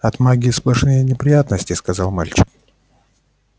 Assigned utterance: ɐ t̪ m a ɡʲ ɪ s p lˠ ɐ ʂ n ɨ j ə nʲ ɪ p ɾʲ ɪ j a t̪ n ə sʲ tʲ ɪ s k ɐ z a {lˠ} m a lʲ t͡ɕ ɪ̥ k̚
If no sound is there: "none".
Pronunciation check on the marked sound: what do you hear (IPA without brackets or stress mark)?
lˠ